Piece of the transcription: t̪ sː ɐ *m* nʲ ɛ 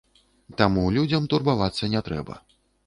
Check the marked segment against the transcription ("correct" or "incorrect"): incorrect